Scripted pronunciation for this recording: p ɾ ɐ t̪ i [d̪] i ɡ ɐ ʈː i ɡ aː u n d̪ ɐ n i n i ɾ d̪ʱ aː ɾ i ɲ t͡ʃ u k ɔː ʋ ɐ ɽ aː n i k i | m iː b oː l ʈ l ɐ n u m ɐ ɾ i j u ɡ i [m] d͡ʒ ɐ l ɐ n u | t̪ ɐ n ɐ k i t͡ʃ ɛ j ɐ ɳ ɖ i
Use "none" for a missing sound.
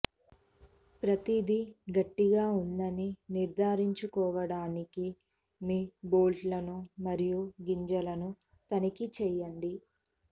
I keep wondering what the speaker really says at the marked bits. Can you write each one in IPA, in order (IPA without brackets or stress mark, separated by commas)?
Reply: d̪, ɲ